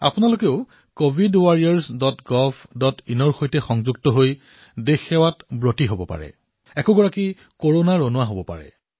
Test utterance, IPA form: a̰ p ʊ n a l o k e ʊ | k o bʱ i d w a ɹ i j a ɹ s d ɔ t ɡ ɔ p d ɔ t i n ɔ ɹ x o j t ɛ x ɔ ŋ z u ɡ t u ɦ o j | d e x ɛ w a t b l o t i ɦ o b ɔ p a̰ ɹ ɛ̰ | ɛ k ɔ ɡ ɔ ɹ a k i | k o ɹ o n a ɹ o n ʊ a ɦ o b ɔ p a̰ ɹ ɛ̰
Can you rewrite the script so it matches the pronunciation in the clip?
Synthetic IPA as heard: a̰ p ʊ n a l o k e ʊ | k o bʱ i d w a ɹ i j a ɹ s d ɔ t ɡ ɔ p d ɔ t i n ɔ ɹ x o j t ɛ x ɔ ŋ z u ɡ t ɔ ɦ o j | d e x ɛ w a t b ɹ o t i ɦ o b ɔ p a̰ ɹ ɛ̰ | ɛ k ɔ ɡ ɔ ɹ a k i | k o ɹ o n a ɹ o n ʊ a ɦ o b ɔ p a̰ ɹ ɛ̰